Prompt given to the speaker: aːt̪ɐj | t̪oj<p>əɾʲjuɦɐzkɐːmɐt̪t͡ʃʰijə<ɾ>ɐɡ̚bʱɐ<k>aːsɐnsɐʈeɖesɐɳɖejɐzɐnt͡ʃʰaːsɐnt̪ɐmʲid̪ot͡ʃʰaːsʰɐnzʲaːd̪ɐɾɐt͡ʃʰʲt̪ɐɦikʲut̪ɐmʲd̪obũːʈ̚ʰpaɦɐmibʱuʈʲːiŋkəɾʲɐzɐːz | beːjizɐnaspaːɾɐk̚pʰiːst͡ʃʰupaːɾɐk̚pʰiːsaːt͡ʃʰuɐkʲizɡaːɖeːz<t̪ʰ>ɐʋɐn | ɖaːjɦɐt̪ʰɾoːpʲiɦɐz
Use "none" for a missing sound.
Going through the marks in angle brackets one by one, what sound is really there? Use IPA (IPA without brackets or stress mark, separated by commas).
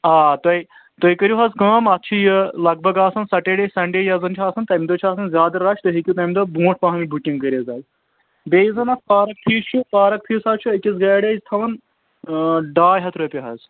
k, l, ɡ, t̪ʰ